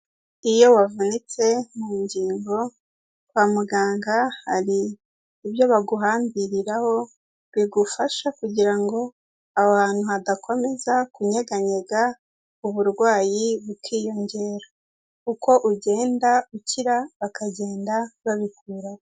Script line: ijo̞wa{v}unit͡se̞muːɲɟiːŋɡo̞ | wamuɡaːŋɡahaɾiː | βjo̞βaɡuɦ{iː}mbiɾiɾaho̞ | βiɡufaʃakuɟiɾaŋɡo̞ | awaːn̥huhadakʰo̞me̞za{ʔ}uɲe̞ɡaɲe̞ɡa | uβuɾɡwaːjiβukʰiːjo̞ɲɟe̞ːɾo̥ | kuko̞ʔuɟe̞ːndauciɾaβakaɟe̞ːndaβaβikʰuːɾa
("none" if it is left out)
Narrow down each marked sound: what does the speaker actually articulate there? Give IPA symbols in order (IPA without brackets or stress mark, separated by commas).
v, aː, k